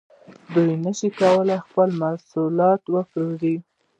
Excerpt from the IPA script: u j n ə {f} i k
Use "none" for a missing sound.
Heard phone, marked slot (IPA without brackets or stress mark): ʃ